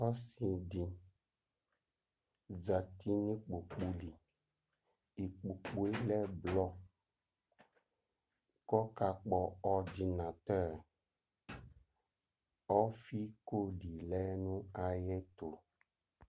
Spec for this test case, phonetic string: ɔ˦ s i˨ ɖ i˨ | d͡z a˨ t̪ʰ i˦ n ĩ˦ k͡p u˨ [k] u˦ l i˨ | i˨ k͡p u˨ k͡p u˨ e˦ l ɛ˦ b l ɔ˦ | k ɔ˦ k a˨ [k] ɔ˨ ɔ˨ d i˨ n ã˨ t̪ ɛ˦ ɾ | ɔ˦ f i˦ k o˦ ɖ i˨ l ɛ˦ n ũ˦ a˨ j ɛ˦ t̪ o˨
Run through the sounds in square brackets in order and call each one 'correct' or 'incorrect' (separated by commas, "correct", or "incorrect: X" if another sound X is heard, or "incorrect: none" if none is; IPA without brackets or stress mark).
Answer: incorrect: k͡p, incorrect: k͡p